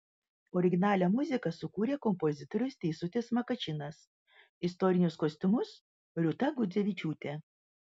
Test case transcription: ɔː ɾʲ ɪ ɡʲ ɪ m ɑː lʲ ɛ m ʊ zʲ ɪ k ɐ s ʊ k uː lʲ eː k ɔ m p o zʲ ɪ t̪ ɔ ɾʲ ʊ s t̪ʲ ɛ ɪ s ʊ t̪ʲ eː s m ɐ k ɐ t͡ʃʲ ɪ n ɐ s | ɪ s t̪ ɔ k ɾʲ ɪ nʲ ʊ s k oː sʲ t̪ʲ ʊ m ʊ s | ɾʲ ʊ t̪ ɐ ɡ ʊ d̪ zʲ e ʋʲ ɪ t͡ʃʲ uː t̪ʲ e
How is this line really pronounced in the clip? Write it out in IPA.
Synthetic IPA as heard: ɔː ɾʲ ɪ ɡʲ ɪ n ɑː lʲ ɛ m ʊ zʲ ɪ k ɐ s ʊ k uː ɾʲ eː k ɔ m p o zʲ ɪ t̪ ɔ ɾʲ ʊ s t̪ʲ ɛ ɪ s ʊ t̪ʲ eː s m ɐ k ɐ t͡ʃʲ ɪ n ɐ s | ɪ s t̪ ɔ ɾʲ ɪ nʲ ʊ s k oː sʲ t̪ʲ ʊ m ʊ s | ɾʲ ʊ t̪ ɐ ɡ ʊ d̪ zʲ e ʋʲ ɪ t͡ʃʲ uː t̪ʲ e